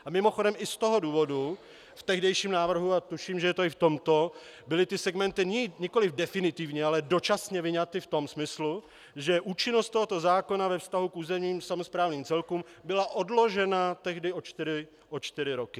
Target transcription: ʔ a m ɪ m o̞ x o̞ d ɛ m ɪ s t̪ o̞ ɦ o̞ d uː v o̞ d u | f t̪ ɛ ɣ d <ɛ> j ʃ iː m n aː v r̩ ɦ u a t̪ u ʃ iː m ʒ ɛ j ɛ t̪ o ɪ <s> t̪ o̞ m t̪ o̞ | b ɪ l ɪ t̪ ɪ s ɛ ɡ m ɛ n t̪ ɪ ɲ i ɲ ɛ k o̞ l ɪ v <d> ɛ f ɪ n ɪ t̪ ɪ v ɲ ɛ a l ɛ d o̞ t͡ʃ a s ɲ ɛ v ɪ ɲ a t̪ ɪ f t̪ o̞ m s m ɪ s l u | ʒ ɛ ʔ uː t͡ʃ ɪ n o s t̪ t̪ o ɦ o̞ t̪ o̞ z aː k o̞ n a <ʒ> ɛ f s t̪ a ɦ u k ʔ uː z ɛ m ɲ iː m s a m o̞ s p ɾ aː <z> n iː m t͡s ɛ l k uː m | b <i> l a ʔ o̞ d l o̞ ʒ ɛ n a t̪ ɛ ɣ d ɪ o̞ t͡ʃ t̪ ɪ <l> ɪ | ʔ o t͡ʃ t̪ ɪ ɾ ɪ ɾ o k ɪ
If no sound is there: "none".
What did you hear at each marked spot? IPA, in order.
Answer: ɛ, f, d, v, v, ɪ, ɾ

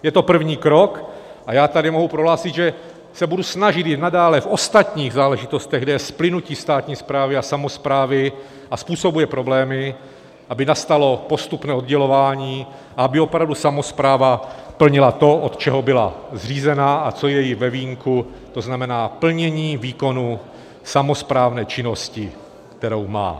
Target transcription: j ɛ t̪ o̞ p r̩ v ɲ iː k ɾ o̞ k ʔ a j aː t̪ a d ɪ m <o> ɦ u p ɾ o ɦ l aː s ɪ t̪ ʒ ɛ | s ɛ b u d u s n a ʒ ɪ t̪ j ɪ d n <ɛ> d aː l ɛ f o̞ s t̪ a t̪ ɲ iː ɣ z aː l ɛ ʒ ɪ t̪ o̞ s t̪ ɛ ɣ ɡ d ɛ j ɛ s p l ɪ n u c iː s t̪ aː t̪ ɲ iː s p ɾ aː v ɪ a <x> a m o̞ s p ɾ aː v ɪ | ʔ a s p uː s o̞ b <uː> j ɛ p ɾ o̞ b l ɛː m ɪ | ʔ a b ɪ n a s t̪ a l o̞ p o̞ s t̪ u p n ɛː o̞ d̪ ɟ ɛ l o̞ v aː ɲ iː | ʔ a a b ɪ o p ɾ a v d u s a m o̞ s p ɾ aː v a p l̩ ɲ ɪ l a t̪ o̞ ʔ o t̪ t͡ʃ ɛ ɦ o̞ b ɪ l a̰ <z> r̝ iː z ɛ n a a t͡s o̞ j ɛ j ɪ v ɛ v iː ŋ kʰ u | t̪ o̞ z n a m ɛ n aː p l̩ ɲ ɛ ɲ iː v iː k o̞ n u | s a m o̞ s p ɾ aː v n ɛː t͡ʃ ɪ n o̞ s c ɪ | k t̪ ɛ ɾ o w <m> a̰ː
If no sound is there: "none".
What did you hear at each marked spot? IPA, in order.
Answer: o, a, s, u, z, m

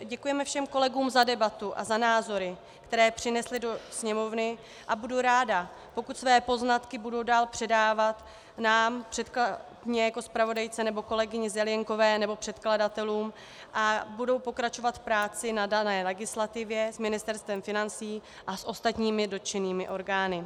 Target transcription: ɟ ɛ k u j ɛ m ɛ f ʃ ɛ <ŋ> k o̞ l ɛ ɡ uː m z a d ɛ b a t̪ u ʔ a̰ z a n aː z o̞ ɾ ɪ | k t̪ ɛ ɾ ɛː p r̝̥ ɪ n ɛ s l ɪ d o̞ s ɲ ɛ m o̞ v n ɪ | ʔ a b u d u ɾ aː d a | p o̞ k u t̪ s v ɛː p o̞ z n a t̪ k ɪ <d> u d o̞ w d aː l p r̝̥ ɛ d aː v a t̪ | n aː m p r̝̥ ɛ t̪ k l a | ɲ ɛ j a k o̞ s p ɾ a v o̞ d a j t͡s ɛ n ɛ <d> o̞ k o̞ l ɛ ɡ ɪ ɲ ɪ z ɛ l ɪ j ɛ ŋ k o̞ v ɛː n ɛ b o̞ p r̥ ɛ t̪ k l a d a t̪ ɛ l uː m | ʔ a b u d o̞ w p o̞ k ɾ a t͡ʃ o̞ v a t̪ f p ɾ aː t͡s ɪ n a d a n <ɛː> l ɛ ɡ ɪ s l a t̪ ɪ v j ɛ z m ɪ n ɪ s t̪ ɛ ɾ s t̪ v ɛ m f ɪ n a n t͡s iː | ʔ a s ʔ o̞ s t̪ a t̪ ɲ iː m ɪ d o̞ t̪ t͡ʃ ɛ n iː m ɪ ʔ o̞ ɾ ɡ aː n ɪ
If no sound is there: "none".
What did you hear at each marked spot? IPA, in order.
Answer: m, b, b, ɛː

